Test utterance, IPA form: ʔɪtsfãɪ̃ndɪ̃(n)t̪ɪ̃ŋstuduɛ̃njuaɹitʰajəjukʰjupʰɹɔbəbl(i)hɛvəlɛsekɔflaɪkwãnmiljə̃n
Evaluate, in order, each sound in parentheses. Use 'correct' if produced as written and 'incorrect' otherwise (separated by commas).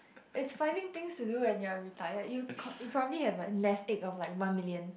incorrect, correct